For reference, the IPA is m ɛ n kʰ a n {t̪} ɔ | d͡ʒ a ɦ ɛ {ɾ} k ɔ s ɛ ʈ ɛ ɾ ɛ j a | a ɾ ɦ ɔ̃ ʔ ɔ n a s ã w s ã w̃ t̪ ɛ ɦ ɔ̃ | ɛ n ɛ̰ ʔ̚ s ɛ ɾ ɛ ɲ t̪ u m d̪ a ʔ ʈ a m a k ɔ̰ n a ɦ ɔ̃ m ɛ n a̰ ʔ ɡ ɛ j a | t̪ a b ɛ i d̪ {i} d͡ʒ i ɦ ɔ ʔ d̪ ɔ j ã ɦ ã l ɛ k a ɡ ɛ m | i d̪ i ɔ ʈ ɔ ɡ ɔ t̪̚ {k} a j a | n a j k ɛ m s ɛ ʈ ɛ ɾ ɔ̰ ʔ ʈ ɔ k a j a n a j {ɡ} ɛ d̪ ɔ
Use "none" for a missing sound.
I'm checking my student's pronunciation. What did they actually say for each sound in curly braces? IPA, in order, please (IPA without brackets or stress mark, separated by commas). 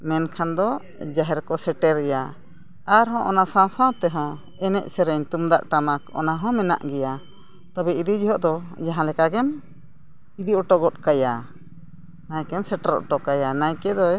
d̪, ɾ, i, k, k